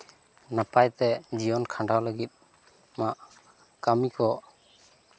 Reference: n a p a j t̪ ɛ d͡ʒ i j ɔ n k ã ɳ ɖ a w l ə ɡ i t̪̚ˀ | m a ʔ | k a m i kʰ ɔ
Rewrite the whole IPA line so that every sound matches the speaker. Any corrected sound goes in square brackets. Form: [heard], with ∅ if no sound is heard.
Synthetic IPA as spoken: n a p a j t̪ ɛ d͡ʒ i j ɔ n [kʰ] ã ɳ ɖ a w l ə ɡ i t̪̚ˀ | m a ʔ | k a m i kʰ ɔ